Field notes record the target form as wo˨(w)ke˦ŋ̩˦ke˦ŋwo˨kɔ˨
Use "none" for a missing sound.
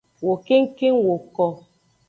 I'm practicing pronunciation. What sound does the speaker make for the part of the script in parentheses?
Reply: none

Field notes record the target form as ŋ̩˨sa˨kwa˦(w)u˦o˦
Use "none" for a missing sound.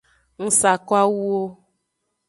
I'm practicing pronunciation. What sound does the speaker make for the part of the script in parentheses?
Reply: w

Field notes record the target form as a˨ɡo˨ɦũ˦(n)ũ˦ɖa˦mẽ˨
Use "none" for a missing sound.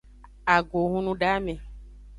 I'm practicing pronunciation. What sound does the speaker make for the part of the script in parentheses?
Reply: n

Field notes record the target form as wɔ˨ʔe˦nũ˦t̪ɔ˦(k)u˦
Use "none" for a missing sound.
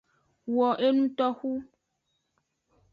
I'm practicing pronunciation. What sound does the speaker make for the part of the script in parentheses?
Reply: x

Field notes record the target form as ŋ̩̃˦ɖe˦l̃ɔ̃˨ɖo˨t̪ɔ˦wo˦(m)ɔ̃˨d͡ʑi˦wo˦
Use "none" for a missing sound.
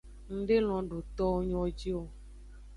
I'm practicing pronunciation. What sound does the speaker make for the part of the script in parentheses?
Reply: ɲ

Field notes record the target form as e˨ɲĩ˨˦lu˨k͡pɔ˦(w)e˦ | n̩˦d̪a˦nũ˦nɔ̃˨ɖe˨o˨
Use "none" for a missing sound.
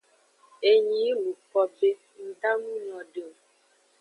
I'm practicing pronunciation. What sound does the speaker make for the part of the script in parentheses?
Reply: b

